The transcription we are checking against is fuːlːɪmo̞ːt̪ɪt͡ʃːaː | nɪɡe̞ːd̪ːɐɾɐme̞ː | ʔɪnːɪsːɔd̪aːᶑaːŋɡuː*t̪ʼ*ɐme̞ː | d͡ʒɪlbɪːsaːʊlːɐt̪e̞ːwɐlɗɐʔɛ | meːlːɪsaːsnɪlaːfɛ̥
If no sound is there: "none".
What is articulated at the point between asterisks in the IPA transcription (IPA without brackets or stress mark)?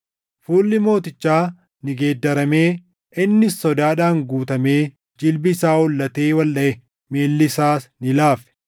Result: t̪